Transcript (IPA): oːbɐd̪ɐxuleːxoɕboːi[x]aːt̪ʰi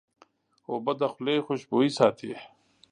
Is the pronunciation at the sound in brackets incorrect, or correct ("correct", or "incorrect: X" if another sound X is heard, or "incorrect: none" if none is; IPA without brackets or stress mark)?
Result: incorrect: s